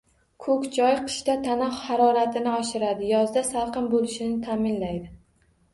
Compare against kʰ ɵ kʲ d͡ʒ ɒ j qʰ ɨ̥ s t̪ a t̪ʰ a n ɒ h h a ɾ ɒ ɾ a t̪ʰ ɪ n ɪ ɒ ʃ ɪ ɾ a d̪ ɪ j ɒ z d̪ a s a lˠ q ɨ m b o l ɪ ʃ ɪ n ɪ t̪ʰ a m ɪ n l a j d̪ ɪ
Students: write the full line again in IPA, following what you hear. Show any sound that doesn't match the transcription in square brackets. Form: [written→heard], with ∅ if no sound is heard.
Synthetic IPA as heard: kʰ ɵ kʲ d͡ʒ ɒ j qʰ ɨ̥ [s→ʃ] t̪ a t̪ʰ a n ɒ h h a ɾ ɒ ɾ a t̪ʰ ɪ n ɪ ɒ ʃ ɪ ɾ a d̪ ɪ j ɒ z d̪ a s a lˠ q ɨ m b o l ɪ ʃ ɪ n ɪ t̪ʰ a m ɪ n l a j d̪ ɪ